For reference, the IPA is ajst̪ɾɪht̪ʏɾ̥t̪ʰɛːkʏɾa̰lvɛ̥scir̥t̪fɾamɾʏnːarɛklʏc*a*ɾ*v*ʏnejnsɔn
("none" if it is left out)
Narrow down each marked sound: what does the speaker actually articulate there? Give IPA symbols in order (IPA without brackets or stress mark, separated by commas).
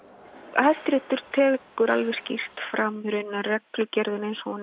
ɛ, ð